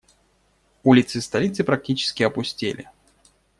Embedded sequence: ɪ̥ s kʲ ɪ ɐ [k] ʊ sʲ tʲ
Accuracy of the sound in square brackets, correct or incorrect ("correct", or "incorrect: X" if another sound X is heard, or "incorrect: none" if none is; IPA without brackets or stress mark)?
incorrect: p